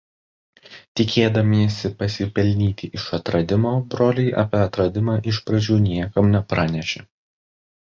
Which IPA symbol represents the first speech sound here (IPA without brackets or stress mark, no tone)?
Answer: t̪ʲ